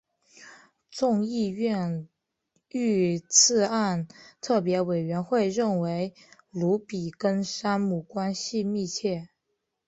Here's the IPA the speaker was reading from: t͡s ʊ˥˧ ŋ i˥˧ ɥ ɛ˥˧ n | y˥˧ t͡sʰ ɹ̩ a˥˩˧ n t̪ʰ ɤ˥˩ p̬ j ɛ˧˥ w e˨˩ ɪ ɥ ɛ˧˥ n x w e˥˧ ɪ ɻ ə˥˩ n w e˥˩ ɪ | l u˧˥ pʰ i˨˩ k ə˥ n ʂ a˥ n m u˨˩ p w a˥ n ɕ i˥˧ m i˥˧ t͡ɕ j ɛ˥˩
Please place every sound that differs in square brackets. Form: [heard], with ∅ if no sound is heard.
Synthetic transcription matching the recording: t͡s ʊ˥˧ ŋ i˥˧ ɥ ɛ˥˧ n | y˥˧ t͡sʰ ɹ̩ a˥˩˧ n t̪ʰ ɤ˥˩ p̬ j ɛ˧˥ w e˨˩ ɪ ɥ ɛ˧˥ n x w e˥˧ ɪ ɻ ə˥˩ n w [e˧˥] ɪ | l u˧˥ [p] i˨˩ k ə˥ n ʂ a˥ n m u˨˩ [k] w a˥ n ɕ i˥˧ m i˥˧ [t͡ɕʰ] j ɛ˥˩